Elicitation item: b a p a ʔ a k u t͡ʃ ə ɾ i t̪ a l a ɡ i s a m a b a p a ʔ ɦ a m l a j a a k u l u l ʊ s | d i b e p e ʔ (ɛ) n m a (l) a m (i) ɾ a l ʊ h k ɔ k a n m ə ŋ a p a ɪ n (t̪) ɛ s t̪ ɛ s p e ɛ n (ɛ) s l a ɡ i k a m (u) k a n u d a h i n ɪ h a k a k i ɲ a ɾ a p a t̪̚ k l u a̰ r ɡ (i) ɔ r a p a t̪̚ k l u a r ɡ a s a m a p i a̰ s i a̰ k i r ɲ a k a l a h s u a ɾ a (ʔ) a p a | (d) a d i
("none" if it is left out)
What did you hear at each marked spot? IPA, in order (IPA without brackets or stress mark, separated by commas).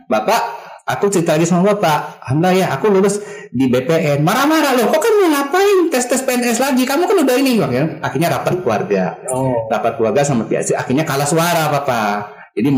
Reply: ɛ, ɾ, a, t̪, ɛ, u, a, p, d͡ʒ